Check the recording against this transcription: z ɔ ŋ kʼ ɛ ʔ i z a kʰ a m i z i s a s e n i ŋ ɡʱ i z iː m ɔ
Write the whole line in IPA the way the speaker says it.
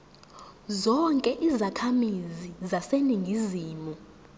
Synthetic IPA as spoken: z ɔ ŋ kʼ ɛ ʔ i z a kʰ a m i z i z a s e n i ŋ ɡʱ i z iː m u